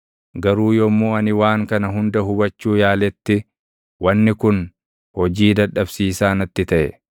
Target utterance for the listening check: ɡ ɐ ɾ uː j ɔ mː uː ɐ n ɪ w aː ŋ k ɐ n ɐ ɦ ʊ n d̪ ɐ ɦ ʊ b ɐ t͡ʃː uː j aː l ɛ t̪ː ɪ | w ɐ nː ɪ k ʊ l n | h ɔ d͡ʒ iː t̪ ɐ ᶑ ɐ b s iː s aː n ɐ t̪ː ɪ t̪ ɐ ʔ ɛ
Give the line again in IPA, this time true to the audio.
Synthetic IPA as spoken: ɡ ɐ ɾ uː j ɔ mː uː ɐ n ɪ w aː ŋ k ɐ n ɐ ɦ ʊ n d̪ ɐ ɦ ʊ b ɐ t͡ʃː uː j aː l ɛ t̪ː ɪ | w ɐ nː ɪ k ʊ n | h ɔ d͡ʒ iː d̪ ɐ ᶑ ɐ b s iː s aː n ɐ t̪ː ɪ t̪ ɐ ʔ ɛ